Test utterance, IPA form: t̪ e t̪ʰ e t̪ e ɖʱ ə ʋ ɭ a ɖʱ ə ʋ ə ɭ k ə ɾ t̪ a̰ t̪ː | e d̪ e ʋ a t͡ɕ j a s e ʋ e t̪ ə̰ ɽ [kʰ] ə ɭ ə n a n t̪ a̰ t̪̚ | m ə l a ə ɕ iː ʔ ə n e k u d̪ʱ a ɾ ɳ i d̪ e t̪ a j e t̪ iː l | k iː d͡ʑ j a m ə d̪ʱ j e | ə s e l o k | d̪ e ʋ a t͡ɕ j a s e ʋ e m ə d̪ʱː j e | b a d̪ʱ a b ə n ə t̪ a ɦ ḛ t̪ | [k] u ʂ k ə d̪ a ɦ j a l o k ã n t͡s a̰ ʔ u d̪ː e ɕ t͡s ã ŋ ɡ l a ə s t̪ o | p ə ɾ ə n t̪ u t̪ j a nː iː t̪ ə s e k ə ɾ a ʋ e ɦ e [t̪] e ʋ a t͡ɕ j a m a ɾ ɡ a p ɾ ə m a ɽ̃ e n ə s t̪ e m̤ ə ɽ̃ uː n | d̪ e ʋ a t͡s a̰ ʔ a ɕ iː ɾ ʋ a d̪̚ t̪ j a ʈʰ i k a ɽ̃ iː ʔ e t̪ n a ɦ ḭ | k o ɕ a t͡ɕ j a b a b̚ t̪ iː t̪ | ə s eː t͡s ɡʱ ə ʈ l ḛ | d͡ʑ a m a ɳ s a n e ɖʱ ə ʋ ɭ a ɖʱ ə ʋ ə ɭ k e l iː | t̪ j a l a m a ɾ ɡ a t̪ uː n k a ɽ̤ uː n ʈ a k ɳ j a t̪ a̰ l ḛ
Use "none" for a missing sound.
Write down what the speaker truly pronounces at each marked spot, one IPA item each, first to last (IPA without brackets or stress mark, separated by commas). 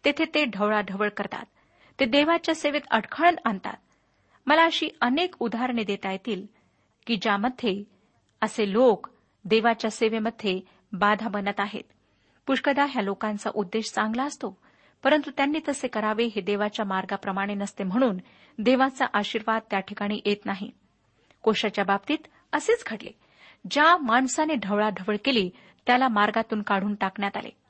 kʰ, p, d̪